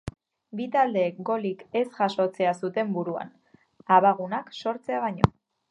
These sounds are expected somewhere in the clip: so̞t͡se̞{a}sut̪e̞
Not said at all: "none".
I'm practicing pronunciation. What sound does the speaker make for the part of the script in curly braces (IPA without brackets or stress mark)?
a